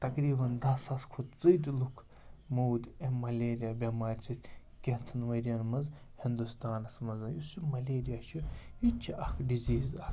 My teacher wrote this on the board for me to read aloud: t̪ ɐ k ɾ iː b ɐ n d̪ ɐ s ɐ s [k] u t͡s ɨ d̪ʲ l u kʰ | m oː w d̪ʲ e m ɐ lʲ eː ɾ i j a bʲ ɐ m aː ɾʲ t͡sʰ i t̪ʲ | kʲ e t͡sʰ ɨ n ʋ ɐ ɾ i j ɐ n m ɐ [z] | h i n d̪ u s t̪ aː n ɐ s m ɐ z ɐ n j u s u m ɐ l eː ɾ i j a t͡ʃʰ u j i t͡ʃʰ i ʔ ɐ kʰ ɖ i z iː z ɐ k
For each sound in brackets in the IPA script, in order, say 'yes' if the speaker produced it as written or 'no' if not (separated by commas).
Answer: no, yes